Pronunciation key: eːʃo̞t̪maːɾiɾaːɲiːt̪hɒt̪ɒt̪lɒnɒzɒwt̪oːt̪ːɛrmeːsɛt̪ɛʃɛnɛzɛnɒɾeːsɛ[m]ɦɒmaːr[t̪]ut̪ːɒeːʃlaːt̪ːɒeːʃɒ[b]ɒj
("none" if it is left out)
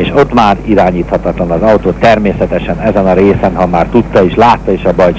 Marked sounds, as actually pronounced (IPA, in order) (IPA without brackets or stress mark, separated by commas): n, t̪, b